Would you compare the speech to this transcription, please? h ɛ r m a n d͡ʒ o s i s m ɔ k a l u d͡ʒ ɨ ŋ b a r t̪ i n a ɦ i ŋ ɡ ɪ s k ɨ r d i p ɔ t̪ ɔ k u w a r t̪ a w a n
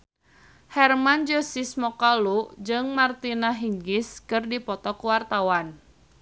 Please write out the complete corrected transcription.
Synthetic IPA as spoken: h ɛ r m a n d͡ʒ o s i s m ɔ k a l u d͡ʒ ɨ ŋ m a r t̪ i n a ɦ i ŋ ɡ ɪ s k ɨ r d i p ɔ t̪ ɔ k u w a r t̪ a w a n